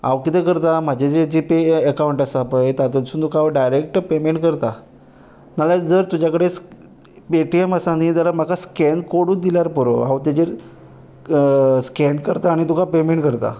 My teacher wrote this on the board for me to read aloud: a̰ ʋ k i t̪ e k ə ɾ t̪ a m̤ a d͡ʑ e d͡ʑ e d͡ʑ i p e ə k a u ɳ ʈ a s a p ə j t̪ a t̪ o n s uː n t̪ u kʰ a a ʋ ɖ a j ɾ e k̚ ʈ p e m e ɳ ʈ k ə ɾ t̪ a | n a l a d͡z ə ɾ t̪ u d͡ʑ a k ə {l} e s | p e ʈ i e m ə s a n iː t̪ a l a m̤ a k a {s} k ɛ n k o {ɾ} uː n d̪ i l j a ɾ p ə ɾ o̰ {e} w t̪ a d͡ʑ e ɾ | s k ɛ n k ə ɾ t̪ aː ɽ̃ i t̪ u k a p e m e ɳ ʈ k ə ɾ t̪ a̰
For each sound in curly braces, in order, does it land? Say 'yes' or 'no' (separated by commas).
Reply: no, yes, no, no